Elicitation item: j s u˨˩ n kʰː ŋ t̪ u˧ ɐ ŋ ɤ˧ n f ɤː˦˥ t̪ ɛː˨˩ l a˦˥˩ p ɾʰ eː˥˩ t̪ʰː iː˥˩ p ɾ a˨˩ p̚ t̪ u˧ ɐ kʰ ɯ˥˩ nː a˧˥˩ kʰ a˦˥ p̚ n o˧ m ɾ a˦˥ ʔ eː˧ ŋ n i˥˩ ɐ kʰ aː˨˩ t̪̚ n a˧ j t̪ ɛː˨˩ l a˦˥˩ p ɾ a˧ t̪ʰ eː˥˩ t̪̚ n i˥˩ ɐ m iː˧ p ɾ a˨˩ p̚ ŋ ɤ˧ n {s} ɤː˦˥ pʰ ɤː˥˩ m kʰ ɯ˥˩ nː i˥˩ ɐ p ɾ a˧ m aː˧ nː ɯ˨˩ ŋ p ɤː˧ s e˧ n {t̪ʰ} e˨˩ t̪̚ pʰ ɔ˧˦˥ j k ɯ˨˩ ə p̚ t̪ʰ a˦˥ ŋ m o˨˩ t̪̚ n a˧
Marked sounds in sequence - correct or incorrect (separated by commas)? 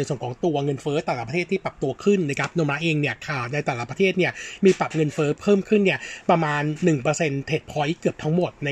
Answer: incorrect, correct